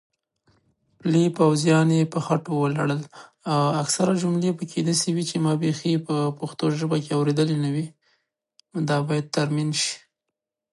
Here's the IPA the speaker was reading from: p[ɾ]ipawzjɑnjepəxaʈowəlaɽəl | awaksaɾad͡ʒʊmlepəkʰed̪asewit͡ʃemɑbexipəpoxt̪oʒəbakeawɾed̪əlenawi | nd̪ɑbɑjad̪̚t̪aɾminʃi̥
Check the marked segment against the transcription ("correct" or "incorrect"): incorrect